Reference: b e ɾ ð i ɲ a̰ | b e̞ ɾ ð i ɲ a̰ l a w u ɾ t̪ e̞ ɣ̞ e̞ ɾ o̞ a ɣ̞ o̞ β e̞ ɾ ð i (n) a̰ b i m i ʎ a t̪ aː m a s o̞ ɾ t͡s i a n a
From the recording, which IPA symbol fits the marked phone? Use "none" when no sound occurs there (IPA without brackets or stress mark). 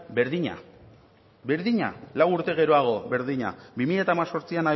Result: ɲ